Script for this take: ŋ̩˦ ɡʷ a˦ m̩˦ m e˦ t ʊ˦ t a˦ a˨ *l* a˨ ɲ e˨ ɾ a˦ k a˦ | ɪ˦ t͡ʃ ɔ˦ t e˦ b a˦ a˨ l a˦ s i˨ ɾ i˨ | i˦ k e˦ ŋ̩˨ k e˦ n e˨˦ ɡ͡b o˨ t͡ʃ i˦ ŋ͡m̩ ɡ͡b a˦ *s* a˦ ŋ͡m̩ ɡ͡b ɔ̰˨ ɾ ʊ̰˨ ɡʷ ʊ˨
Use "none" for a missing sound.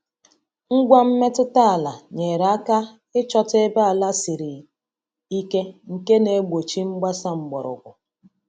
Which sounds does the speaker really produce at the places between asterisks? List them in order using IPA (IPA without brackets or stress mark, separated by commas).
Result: l, s